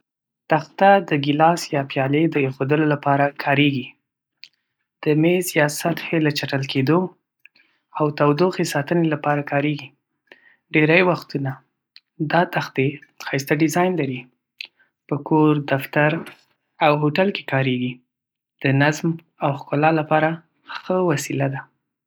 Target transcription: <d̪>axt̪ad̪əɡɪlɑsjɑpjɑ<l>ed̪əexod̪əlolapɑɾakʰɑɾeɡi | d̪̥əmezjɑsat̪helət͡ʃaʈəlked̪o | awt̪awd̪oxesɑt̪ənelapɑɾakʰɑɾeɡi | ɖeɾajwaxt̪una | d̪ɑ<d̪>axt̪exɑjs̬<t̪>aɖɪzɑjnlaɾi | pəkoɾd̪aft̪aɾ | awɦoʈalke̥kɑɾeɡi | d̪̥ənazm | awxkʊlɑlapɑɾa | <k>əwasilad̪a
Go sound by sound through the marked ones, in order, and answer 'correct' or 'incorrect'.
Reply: incorrect: t̪, correct, incorrect: t̪, correct, incorrect: x

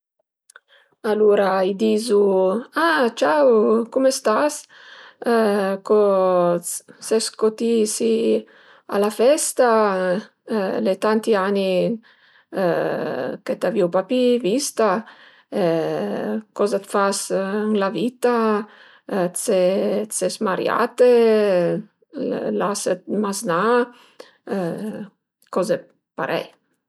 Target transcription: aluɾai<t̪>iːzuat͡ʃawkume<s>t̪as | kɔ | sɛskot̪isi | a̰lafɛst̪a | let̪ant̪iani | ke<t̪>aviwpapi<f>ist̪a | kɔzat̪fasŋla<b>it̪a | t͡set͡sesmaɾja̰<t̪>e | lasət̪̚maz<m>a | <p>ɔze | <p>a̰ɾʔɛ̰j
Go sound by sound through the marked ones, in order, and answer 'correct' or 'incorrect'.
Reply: incorrect: d̪, correct, correct, incorrect: v, incorrect: v, correct, incorrect: n, incorrect: k, correct

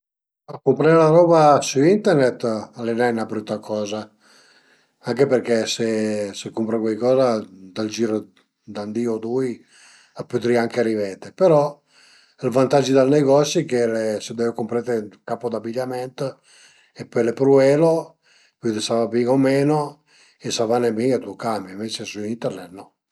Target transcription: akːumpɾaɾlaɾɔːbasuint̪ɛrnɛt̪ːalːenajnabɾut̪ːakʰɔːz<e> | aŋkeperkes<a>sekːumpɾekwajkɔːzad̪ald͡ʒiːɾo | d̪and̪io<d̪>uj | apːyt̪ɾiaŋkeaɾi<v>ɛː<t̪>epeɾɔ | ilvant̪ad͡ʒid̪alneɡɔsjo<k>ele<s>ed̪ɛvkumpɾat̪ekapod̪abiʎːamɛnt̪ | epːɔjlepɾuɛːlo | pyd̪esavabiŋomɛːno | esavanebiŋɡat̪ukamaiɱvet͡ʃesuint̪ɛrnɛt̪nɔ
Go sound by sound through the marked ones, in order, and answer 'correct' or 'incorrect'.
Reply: incorrect: a, incorrect: e, correct, correct, correct, correct, correct

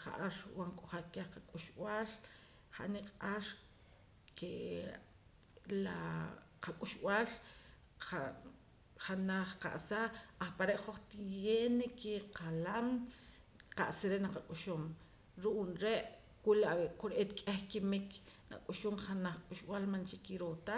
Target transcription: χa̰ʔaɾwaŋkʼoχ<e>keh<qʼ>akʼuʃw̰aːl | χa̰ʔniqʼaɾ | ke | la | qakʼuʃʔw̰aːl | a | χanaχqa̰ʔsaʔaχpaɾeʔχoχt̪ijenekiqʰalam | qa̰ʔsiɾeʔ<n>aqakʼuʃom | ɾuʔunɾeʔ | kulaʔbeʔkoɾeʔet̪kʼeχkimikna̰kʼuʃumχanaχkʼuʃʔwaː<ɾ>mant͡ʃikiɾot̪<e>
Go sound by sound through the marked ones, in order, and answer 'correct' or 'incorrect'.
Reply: incorrect: a, incorrect: q, correct, incorrect: l, incorrect: a

